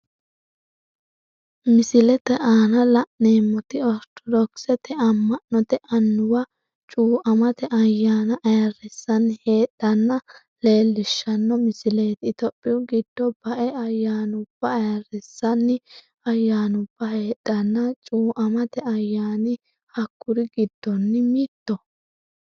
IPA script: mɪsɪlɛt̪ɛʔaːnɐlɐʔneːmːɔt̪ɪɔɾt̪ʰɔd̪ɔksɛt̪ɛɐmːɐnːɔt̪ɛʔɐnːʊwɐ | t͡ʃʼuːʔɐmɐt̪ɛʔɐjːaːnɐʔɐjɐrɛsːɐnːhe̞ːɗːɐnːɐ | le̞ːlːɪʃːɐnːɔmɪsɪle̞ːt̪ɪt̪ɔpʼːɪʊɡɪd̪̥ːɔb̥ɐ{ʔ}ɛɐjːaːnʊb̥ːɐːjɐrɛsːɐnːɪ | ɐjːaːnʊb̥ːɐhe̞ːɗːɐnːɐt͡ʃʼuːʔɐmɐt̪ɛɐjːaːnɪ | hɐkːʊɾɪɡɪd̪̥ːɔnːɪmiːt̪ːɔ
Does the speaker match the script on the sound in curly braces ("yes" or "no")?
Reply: yes